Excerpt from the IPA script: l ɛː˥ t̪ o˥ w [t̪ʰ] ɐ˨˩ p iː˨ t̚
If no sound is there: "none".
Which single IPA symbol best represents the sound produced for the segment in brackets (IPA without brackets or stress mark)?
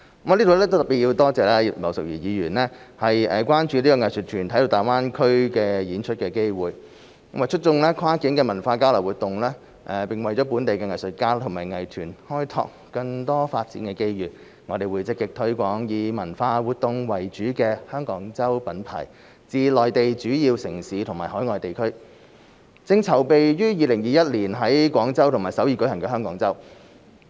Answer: t̪